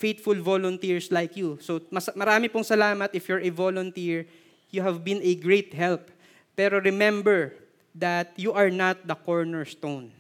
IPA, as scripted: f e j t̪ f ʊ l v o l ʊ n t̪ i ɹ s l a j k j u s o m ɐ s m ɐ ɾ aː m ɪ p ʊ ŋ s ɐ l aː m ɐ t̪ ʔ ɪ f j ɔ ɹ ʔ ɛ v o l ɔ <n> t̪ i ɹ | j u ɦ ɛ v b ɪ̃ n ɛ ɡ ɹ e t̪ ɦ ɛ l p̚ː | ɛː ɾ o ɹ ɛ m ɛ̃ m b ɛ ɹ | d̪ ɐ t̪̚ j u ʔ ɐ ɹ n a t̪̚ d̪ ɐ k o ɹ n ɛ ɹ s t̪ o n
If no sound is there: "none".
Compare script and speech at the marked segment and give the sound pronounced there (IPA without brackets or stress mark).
n